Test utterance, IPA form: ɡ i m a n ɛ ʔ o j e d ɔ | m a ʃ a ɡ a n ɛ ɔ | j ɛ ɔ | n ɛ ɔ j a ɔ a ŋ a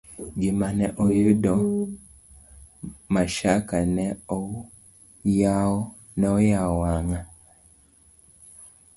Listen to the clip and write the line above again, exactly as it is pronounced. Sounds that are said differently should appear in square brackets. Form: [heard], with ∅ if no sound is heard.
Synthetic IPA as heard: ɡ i m a n ɛ ʔ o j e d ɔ | m a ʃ a [k] a n ɛ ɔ | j [a] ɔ | n ɛ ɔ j a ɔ a ŋ a